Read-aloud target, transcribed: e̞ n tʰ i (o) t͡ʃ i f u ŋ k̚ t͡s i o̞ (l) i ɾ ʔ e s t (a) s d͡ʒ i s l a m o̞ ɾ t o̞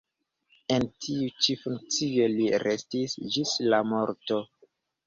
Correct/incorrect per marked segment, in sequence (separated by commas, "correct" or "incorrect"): incorrect, correct, incorrect